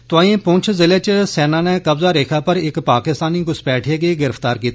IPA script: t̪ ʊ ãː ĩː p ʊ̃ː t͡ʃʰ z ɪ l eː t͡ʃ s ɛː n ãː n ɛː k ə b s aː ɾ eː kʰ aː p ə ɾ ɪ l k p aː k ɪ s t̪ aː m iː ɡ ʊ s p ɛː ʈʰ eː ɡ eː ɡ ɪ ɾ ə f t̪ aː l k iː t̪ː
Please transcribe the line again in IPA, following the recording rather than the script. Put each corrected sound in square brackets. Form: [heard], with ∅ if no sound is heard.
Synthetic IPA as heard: t̪ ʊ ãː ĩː p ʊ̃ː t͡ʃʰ z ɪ l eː t͡ʃ s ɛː n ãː n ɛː k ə b [z] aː ɾ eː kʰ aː p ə ɾ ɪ [∅] k p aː k ɪ s t̪ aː [n] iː ɡ ʊ s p ɛː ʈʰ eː ɡ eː ɡ ɪ ɾ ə f t̪ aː [ɾ] k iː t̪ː